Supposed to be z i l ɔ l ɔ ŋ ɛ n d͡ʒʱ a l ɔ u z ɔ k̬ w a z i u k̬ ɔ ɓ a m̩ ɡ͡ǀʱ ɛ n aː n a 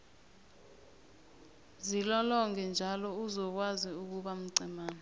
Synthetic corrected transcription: z i l ɔ l ɔ ŋ ɛ n d͡ʒʱ a l ɔ u z ɔ k̬ w a z i u k̬ u ɓ a m̩ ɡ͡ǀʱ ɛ m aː n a